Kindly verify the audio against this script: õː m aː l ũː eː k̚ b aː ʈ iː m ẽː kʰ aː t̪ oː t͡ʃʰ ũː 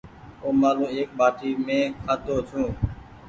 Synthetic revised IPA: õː m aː l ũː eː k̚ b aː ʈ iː m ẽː kʰ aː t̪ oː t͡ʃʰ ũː